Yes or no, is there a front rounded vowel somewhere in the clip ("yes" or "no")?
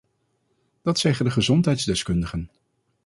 no